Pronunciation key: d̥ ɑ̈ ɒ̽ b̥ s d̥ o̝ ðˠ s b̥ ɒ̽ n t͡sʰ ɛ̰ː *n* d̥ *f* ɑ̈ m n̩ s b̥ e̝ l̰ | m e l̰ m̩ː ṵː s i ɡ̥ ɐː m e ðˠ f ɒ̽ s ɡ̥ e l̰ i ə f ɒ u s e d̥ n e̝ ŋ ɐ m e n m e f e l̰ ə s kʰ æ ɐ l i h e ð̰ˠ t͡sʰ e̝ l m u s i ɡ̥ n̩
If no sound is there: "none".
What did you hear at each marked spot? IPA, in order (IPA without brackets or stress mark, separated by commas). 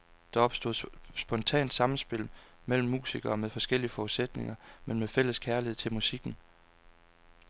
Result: n, s